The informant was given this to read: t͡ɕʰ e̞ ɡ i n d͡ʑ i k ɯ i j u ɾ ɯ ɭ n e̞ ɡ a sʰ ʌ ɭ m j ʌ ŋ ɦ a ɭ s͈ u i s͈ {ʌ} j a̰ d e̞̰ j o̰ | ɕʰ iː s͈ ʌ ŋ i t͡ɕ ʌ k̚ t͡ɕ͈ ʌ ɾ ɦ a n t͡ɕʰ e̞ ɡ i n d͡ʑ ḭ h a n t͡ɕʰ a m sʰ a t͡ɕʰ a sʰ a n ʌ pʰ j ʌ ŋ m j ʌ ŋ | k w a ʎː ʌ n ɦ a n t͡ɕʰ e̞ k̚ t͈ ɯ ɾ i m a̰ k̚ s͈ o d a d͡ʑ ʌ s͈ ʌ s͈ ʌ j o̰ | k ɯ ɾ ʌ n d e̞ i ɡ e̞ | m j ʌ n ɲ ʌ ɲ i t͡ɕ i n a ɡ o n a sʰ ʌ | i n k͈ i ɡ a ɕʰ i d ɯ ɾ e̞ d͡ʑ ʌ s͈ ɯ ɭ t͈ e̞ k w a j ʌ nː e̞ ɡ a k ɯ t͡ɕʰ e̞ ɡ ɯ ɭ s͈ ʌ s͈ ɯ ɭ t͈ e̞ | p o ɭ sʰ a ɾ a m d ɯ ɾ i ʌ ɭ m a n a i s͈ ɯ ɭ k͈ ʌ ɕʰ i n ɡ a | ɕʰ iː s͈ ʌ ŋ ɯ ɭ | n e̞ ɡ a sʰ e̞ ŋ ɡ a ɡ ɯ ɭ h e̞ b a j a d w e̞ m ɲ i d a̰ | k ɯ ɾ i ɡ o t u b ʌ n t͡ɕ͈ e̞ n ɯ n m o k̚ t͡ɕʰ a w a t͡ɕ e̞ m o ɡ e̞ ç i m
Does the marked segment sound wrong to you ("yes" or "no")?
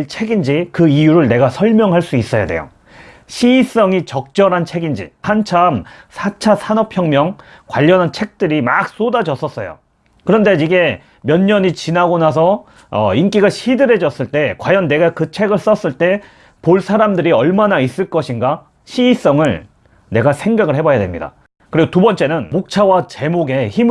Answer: no